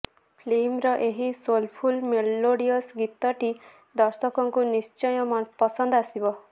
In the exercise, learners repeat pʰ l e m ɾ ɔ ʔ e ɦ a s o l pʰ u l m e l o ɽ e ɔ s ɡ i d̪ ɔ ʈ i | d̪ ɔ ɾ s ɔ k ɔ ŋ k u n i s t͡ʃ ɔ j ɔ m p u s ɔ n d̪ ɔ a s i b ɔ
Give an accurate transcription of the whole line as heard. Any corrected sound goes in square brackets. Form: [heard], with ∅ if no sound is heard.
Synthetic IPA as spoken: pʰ l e m ɾ ɔ ʔ e ɦ [i] s o l pʰ u l m e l o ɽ [i] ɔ s ɡ i [t̪] ɔ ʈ i | d̪ ɔ ɾ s ɔ k ɔ ŋ k u n i s t͡ʃ ɔ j ɔ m p [ɔ] s ɔ n d̪ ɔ a s i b ɔ